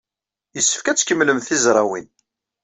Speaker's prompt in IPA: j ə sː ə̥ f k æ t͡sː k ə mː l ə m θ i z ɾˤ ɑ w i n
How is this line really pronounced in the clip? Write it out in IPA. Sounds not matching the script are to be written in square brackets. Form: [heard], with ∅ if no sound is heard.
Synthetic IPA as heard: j ə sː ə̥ f k æ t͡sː k ə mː l ə m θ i z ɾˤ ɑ w i n